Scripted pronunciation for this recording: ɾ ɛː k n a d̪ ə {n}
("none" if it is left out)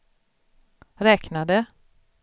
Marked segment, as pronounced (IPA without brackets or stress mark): none